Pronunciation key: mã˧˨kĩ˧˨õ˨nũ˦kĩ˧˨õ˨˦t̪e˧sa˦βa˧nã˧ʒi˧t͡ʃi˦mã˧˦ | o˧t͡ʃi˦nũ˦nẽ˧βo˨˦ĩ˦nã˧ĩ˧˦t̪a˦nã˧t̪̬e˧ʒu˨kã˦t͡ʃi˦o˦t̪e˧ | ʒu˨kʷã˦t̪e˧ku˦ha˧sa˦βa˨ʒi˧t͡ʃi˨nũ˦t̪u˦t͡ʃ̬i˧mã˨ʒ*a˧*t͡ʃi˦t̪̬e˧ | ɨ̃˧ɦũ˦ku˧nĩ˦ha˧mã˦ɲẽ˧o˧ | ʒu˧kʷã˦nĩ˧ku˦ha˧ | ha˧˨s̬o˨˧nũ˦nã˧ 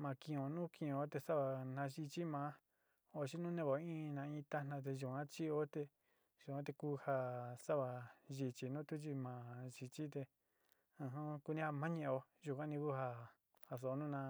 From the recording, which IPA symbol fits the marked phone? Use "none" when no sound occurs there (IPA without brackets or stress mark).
i˧